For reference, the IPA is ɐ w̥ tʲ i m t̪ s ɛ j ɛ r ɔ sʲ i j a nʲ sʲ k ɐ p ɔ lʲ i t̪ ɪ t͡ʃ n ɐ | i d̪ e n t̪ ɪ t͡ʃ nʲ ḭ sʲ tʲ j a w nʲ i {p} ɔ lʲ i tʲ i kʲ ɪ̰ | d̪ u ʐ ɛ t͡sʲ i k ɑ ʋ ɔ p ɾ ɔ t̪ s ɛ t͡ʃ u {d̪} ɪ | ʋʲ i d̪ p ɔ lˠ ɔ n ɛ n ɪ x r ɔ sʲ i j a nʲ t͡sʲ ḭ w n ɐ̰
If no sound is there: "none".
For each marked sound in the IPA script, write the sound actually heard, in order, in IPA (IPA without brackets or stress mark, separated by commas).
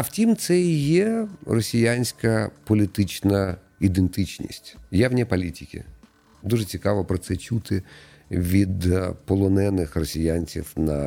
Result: p, t̪